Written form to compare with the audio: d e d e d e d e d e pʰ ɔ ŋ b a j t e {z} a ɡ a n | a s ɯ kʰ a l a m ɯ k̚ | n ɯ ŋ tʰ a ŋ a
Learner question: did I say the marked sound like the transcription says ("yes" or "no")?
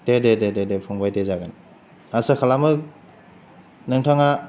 yes